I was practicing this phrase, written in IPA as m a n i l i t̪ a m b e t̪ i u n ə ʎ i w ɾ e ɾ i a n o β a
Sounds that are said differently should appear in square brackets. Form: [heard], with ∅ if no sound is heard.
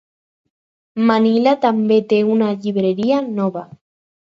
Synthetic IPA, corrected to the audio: m a n i l [a] t̪ a m b e t̪ [e] u n [a] ʎ i [β] ɾ e ɾ i a n o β a